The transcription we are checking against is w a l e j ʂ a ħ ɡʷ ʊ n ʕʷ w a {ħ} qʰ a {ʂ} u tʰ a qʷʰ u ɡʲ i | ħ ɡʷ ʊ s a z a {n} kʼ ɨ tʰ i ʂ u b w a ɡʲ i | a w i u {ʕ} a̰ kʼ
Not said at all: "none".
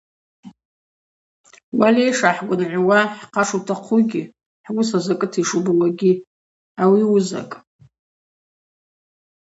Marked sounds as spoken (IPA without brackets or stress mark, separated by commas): ħ, ʂ, none, z